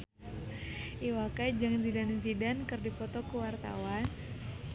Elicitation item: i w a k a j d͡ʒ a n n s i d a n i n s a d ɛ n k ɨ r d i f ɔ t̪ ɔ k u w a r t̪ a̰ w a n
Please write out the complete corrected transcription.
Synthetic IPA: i w a k a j d͡ʒ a ŋ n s i d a n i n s i d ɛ n k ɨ r d i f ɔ t̪ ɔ k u w a r t̪ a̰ w a n